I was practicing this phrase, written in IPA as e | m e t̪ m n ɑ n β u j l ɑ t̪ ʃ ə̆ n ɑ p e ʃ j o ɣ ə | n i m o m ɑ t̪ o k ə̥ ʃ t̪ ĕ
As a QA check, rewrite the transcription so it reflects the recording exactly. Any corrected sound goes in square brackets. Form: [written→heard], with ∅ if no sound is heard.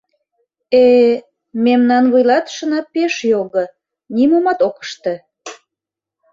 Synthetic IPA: e | m e [t̪→∅] m n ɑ n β u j l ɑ t̪ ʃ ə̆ n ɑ p e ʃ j o ɣ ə | n i m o m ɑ t̪ o k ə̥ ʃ t̪ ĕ